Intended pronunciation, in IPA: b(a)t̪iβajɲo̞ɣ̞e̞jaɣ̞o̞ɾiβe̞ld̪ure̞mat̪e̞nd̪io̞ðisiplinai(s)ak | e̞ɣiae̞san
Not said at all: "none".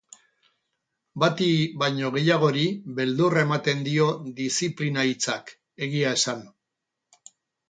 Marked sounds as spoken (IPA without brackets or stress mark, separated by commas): a, t͡s